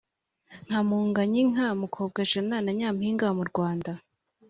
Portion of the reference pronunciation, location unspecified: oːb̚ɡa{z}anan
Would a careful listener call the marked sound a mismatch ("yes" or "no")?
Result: yes